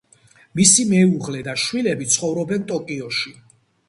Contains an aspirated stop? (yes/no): no